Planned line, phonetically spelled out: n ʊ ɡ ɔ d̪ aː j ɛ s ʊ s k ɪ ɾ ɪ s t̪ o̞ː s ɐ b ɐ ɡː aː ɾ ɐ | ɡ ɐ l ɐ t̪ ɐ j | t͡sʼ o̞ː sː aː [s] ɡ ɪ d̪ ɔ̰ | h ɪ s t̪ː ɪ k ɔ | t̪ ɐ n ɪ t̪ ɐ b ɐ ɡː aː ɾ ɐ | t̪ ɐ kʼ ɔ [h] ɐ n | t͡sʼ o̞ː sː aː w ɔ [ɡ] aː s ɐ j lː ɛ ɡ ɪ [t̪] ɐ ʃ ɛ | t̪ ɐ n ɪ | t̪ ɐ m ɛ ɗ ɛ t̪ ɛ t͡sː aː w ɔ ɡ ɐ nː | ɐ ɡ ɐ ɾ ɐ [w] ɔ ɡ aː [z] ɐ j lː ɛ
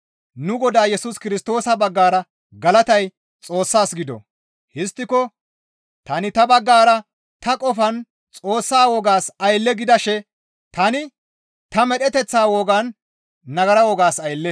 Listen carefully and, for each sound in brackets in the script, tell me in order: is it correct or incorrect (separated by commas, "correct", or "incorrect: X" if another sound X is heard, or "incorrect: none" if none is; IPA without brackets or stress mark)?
correct, incorrect: f, correct, incorrect: d̪, correct, incorrect: s